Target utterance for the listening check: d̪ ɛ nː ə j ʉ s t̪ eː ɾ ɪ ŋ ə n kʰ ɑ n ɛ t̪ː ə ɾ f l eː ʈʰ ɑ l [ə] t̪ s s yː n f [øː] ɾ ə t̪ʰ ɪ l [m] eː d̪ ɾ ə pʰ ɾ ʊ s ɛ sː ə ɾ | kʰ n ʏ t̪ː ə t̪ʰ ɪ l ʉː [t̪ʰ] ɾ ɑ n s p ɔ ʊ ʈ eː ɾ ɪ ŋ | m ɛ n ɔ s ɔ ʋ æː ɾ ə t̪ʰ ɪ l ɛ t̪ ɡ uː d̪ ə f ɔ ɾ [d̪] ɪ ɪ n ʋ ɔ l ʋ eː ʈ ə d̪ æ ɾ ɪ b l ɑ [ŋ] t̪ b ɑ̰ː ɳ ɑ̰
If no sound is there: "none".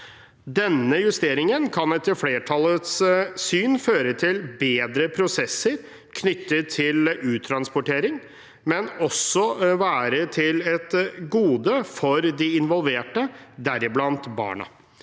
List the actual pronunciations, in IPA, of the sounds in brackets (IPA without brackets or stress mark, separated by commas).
ə, øː, b, t̪ʰ, d̪, n